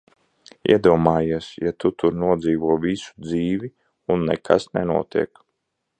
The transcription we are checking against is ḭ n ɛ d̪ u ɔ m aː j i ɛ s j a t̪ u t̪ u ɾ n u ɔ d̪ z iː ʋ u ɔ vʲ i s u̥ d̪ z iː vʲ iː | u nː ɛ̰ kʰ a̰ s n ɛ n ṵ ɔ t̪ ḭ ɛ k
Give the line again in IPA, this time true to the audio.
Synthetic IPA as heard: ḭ ɛ d̪ u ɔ m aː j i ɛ s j a t̪ u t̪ u ɾ n u ɔ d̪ z iː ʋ u ɔ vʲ i s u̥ d̪ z iː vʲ i | u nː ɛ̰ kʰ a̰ s n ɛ n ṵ ɔ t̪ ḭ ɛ k